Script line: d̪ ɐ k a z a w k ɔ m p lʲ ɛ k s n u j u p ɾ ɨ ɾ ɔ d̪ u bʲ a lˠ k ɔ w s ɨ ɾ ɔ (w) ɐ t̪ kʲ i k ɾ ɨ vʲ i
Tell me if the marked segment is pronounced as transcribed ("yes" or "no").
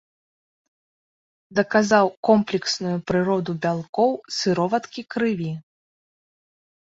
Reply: no